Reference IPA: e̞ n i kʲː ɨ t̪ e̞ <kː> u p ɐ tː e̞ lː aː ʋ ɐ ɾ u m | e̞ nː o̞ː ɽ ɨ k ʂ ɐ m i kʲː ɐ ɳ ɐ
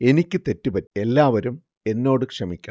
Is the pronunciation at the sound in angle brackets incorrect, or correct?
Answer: incorrect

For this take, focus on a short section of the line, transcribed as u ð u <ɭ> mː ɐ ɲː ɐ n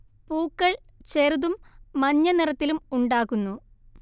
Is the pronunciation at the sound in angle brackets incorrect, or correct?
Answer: incorrect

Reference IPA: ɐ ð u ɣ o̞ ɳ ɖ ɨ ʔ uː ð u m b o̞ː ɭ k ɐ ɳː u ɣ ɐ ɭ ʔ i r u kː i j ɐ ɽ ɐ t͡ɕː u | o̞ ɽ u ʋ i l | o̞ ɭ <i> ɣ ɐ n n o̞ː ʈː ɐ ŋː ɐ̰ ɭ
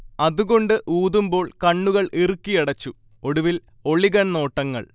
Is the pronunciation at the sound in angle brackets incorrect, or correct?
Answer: correct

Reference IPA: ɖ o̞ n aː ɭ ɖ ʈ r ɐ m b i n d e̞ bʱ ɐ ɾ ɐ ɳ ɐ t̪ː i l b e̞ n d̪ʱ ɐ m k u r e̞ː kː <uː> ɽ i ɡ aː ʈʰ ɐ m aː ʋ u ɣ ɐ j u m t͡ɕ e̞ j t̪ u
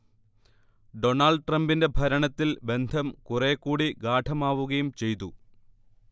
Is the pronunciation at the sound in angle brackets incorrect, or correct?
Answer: correct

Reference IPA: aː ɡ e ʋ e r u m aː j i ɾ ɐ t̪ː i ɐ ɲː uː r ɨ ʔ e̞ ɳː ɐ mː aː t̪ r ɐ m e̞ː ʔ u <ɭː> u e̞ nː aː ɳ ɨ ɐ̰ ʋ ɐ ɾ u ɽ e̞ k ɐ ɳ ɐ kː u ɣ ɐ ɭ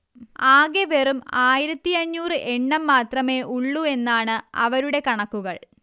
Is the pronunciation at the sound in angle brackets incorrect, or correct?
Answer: correct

